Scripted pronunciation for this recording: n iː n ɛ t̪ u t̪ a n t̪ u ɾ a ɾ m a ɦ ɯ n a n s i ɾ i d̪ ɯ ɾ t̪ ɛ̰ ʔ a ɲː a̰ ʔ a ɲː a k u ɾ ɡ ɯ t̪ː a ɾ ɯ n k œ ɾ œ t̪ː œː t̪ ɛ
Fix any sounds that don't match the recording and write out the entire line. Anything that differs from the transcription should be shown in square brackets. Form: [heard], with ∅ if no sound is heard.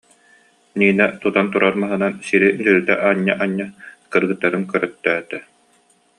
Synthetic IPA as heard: n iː n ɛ t̪ u t̪ a n t̪ u ɾ a ɾ m a ɦ ɯ n a n s i ɾ i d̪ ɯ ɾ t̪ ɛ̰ ʔ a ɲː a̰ ʔ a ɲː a k [ɯ] ɾ ɡ ɯ t̪ː a ɾ ɯ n k œ ɾ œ t̪ː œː t̪ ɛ